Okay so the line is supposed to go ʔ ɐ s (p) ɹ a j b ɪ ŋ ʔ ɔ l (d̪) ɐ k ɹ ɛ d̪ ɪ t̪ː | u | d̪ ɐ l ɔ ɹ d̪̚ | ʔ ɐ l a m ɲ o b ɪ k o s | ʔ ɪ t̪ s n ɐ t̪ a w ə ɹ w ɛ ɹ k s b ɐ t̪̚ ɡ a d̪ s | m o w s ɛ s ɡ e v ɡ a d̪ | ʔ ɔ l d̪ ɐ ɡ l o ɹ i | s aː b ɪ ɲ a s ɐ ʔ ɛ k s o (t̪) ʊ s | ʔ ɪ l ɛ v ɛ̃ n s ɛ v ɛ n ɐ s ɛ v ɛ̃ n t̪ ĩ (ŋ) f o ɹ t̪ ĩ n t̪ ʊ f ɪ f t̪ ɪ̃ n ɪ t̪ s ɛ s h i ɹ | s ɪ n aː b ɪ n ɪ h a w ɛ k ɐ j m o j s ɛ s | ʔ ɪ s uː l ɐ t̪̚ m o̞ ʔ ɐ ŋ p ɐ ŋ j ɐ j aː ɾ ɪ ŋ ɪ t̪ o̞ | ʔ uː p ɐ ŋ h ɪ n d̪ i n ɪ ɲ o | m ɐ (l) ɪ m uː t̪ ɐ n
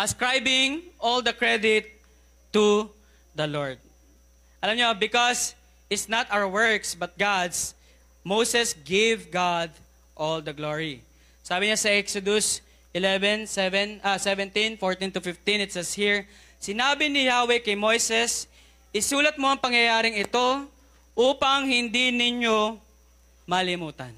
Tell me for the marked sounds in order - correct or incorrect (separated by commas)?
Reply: incorrect, correct, incorrect, incorrect, correct